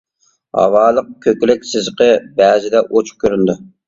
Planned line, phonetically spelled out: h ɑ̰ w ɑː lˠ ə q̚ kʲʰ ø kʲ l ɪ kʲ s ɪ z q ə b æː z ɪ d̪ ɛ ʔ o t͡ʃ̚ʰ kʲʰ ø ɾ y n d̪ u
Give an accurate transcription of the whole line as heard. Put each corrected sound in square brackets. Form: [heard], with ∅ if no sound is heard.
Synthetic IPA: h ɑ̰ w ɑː lˠ ə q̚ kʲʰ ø kʲ l ɪ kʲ s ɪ z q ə b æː z ɪ d̪ ɛ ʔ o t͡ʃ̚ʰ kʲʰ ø ɾ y n d̪ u